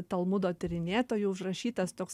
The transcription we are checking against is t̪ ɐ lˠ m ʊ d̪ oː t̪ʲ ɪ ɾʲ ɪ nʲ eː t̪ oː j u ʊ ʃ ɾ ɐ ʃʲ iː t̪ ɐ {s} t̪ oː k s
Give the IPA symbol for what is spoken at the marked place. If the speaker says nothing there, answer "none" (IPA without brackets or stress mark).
s